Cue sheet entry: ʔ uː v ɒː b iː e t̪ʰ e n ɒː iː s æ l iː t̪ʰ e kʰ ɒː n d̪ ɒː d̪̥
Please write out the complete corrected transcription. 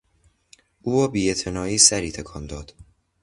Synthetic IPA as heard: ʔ uː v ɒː b iː e t̪ʰ e n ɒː iː s æ ɾ iː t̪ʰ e kʰ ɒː n d̪ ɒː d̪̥

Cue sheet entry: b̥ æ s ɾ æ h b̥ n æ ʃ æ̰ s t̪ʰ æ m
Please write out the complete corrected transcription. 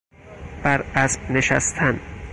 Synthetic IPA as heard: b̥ æ ɾ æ s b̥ n e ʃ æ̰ s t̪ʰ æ n

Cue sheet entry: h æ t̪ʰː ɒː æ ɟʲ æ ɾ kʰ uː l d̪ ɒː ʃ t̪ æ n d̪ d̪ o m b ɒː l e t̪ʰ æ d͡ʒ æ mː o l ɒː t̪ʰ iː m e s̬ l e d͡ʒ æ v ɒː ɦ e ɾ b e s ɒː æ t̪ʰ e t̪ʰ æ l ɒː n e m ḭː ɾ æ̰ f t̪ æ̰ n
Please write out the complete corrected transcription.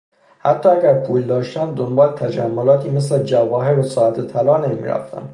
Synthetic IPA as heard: h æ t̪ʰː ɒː æ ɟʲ æ ɾ pʰ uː l d̪ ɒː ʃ t̪ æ n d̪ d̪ o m b ɒː l e t̪ʰ æ d͡ʒ æ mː o l ɒː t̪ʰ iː m e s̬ l e d͡ʒ æ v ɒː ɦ e ɾ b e s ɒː æ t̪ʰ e t̪ʰ æ l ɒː n e m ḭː ɾ æ̰ f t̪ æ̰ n

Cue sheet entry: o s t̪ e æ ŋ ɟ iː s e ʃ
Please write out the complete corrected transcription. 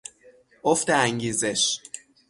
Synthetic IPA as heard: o f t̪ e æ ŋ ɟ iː z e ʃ

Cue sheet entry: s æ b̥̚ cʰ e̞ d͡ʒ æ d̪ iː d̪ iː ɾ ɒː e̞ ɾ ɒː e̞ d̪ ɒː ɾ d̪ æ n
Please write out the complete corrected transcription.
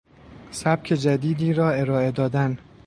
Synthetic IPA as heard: s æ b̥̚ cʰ e̞ d͡ʒ æ d̪ iː d̪ iː ɾ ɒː e̞ ɾ ɒː e̞ d̪ ɒː d̪ æ n

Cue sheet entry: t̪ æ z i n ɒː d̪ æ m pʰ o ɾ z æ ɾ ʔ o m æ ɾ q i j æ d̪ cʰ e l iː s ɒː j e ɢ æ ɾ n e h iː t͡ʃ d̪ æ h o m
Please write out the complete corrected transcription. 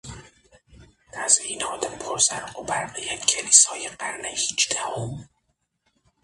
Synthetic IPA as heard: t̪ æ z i n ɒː d̪ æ m pʰ o ɾ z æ ɾ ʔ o b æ ɾ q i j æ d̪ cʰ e l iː s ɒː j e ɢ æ ɾ n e h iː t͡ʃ d̪ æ h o m

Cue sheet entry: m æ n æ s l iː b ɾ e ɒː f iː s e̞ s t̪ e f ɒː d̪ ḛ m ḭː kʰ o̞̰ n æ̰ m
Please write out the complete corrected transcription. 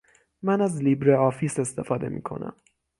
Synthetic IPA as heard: m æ n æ z l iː b ɾ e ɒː f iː s e̞ s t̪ e f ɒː d̪ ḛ m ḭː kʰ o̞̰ n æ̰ m

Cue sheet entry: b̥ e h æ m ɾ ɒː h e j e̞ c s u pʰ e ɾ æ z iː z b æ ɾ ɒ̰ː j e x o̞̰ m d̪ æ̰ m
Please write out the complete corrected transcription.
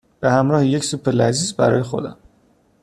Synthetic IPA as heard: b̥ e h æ m ɾ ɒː h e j e̞ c s u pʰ e l æ z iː z b æ ɾ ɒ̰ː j e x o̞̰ d̪ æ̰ m

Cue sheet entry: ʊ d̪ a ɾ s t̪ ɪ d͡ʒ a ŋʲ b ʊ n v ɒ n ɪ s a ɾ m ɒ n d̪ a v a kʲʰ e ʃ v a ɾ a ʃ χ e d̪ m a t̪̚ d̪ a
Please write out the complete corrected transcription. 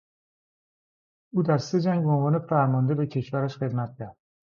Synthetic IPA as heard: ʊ d̪ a ɾ s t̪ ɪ d͡ʒ a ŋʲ b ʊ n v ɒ n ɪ f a ɾ m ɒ n d̪ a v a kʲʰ e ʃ v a ɾ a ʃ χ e d̪ m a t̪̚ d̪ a

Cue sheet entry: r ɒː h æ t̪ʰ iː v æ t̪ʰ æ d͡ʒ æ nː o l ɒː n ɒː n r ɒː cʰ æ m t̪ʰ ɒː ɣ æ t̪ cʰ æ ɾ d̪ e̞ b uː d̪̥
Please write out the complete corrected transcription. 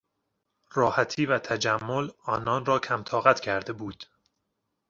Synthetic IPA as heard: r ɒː h æ t̪ʰ iː v æ t̪ʰ æ d͡ʒ æ mː o l ɒː n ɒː n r ɒː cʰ æ m t̪ʰ ɒː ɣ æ t̪ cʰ æ ɾ d̪ e̞ b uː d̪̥

